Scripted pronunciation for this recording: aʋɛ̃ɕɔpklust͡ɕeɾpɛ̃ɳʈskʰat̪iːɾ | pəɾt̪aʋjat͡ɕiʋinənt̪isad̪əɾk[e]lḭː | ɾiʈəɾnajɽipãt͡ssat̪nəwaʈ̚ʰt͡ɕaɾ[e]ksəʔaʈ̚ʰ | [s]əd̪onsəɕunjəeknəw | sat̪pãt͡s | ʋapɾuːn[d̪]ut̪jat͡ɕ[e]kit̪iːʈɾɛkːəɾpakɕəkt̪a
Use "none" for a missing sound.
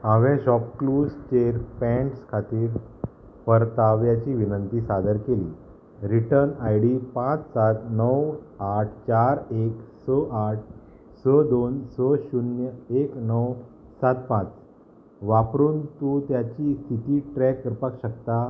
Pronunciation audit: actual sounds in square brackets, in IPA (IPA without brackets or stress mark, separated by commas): e, e, s, t̪, i